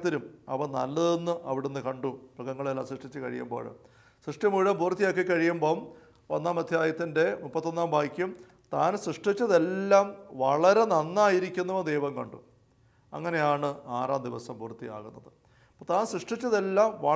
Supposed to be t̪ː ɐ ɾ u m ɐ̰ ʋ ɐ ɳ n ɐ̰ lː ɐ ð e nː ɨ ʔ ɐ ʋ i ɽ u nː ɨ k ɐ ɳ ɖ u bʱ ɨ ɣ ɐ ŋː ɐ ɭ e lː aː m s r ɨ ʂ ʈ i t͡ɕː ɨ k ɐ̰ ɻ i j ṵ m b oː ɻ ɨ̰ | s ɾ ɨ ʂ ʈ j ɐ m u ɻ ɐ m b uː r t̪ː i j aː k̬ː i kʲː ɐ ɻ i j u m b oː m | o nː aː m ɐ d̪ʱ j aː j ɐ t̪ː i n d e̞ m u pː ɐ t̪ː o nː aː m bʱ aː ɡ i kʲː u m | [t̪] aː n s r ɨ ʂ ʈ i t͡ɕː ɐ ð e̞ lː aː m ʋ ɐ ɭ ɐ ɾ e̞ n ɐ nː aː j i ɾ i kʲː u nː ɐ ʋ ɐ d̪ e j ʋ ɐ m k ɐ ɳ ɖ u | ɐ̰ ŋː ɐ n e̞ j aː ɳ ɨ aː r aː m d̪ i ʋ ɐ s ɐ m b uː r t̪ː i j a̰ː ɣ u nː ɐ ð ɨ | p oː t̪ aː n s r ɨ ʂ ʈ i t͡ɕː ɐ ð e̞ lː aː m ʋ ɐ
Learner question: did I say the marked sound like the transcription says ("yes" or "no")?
yes